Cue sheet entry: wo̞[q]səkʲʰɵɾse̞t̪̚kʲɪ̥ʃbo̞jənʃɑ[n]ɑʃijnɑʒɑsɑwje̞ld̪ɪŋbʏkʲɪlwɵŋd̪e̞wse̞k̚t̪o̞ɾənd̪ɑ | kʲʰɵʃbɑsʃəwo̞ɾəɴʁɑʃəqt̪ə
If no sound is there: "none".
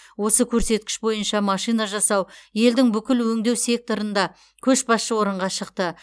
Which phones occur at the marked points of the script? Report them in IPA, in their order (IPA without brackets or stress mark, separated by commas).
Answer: none, m